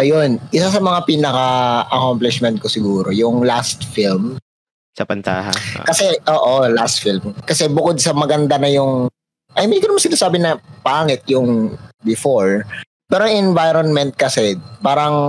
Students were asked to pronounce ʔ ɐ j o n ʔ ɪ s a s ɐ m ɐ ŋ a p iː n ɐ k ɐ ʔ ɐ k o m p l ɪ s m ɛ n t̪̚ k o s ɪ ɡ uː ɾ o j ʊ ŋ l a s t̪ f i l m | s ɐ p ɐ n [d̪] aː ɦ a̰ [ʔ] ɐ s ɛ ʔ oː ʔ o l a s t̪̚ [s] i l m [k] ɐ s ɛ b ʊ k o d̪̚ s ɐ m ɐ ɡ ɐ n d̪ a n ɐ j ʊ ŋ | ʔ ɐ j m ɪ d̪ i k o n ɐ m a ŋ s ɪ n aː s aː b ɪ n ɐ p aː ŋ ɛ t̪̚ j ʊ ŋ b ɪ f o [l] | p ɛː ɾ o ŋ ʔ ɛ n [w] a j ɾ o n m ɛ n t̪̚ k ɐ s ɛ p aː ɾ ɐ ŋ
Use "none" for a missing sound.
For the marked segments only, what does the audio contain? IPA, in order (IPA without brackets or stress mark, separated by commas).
t̪, k, f, k, ɹ, v